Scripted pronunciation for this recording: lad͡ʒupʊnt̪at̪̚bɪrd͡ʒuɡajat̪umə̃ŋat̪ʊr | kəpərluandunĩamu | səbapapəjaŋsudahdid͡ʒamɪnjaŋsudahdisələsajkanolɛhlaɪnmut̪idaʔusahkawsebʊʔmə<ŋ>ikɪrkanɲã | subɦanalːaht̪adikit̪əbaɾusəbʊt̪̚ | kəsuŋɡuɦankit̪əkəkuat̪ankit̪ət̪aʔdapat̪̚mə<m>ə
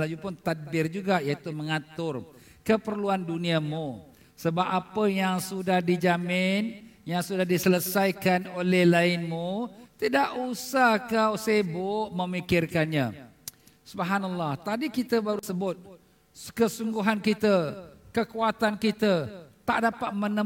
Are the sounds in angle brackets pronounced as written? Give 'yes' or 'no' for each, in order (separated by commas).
no, no